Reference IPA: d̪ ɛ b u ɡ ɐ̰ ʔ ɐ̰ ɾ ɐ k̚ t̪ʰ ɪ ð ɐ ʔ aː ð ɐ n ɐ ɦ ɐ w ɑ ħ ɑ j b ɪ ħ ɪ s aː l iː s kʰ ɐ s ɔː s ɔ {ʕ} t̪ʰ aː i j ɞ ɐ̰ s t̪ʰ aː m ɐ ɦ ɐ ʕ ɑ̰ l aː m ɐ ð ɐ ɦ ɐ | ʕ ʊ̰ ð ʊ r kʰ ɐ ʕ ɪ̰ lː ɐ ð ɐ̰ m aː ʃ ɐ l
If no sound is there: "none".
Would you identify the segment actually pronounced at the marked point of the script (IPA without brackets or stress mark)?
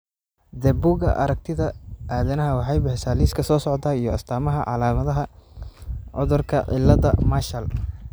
ʕ